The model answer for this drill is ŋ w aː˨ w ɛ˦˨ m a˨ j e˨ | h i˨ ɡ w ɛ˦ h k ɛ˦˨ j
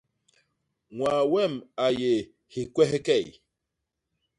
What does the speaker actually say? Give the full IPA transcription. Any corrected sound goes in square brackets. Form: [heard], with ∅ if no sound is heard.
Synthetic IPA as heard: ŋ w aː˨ w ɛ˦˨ m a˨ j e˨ | h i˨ [k] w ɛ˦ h k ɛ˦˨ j